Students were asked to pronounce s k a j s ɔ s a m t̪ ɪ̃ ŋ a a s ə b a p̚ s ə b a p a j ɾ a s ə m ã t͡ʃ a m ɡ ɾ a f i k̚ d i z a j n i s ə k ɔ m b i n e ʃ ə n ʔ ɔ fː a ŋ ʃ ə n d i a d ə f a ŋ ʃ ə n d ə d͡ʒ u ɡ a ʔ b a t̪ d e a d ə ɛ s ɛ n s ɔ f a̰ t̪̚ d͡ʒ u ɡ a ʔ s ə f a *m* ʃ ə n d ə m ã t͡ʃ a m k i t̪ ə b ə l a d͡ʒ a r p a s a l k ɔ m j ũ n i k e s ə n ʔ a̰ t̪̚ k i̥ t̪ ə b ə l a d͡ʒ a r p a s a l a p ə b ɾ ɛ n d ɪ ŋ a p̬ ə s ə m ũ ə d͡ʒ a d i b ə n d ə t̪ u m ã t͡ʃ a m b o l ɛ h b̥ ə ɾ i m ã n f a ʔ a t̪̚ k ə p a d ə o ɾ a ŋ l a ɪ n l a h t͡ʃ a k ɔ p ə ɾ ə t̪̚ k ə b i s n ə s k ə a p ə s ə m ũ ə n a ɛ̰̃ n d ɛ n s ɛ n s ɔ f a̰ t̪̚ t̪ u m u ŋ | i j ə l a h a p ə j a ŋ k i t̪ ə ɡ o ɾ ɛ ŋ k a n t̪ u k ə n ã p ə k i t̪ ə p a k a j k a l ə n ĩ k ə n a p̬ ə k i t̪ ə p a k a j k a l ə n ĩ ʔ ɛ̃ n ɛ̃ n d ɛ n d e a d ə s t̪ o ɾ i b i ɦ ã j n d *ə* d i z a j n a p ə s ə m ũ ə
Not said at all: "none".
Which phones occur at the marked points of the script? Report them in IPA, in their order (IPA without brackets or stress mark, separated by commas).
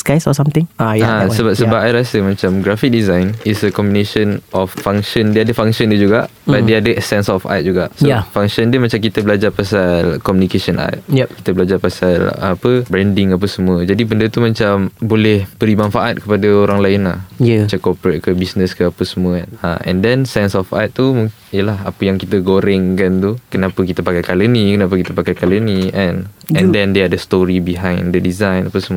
ŋ, ə